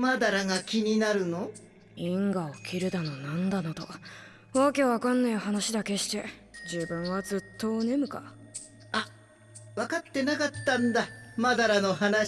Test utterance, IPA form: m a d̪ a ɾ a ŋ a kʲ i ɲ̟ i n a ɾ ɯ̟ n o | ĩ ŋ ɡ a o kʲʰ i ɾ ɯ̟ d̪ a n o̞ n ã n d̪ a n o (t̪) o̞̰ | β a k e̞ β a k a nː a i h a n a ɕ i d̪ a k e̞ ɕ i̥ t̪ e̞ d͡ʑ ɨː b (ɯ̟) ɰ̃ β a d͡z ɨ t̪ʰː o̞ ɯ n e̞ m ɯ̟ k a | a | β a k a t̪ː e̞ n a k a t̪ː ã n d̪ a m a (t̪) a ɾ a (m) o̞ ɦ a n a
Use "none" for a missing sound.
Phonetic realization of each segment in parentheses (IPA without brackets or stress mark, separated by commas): t̪, ɯ̟̃, d̪, n